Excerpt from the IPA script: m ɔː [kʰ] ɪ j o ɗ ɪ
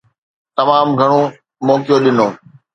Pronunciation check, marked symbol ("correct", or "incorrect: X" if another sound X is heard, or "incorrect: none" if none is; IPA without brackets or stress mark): incorrect: k